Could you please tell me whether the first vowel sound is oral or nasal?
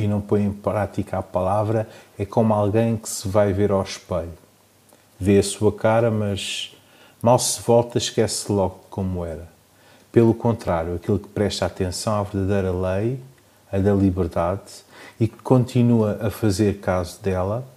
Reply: oral